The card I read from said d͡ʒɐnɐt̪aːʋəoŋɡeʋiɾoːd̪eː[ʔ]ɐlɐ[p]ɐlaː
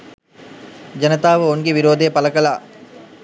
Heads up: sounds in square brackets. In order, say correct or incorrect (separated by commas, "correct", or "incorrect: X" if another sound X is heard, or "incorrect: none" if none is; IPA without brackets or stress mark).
incorrect: p, incorrect: k